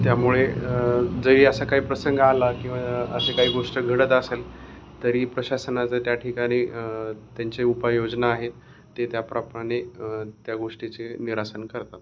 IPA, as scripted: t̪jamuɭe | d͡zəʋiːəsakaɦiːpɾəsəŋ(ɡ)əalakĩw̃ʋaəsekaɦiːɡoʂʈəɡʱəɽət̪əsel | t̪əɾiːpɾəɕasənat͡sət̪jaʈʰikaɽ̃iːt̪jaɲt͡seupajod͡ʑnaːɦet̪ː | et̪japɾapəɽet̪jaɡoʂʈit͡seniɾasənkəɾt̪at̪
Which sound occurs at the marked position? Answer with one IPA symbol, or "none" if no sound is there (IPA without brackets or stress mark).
ɡ